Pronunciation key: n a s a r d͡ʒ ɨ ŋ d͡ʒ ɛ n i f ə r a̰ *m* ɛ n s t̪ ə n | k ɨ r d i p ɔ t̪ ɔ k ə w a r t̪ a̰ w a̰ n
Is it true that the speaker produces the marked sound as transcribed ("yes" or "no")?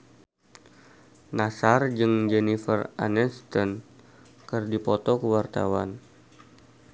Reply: no